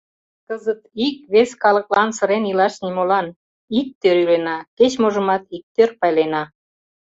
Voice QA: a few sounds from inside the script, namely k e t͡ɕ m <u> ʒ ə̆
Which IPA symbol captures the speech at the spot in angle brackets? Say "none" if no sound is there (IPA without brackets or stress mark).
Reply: o